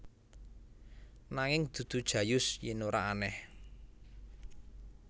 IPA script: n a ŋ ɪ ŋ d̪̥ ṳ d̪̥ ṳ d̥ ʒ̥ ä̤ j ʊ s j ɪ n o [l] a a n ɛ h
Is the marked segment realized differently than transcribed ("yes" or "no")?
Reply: yes